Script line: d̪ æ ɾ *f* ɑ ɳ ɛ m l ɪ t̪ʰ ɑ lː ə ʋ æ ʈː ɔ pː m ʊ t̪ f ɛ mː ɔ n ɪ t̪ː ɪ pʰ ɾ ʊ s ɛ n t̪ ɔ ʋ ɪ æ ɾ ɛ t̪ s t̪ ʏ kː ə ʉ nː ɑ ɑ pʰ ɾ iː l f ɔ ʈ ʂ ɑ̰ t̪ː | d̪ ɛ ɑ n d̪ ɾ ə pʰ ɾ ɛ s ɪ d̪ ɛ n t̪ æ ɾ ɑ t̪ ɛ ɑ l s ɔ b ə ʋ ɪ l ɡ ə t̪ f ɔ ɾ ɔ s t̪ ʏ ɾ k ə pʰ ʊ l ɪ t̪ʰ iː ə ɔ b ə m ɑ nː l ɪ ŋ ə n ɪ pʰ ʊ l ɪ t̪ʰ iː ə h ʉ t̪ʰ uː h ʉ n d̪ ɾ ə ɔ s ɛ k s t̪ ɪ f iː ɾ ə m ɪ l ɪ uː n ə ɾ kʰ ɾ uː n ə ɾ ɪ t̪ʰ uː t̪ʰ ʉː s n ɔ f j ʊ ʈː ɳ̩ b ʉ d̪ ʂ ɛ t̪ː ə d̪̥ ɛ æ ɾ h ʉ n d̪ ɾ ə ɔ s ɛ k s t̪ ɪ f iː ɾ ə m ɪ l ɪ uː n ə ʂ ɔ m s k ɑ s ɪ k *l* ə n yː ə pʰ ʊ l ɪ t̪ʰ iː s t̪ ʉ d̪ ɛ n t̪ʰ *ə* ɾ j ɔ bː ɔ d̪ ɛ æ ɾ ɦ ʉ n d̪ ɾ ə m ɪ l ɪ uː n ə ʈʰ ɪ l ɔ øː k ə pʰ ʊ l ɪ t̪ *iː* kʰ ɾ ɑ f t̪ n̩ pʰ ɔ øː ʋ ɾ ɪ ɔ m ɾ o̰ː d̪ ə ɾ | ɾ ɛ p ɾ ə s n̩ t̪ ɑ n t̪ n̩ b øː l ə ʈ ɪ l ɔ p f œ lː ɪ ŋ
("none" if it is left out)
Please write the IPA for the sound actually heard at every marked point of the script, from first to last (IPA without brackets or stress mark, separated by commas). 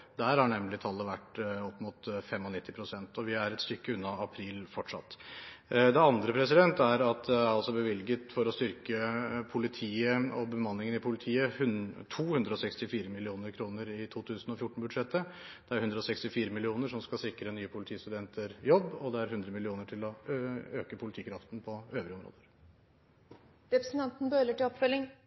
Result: h, ɾ, ə, iː